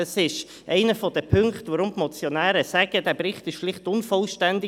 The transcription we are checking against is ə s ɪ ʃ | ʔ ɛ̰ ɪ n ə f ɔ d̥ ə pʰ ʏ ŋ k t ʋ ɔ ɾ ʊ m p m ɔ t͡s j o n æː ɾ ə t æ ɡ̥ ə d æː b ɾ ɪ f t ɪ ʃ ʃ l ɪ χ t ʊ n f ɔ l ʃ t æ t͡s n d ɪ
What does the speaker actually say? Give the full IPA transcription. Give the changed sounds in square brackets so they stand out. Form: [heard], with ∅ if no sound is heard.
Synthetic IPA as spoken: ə s ɪ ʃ | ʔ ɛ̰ ɪ n ə f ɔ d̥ ə pʰ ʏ ŋ k t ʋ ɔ ɾ ʊ m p m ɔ t͡s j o n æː ɾ ə [s] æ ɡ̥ ə d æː b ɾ ɪ [χ] t ɪ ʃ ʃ l ɪ χ t ʊ n f ɔ l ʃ t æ [∅] n d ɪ